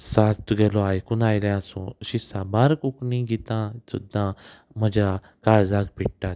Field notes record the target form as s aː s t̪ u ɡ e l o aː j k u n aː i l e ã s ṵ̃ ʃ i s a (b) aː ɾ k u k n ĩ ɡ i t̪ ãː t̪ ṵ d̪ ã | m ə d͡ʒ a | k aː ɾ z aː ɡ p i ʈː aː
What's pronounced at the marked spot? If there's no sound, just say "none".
b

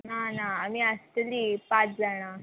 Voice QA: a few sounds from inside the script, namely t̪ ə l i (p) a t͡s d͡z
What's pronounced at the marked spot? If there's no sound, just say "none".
p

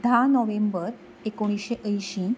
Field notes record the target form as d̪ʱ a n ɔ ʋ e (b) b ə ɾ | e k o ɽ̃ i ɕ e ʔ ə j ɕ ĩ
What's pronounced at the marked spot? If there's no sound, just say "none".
m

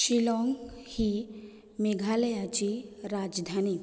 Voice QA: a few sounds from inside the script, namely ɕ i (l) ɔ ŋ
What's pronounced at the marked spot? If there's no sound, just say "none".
l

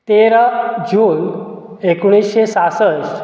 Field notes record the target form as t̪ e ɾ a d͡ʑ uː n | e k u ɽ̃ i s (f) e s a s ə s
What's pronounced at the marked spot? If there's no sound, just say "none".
ɕ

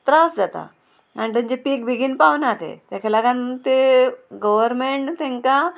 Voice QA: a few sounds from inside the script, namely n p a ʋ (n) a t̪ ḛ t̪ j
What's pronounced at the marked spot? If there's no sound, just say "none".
n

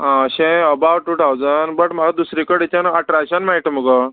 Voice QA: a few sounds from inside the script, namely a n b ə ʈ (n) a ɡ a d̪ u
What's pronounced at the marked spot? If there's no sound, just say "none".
m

